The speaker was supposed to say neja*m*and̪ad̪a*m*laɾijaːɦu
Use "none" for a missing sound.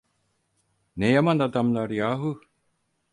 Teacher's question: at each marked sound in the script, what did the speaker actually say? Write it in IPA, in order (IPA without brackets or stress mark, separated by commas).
m, m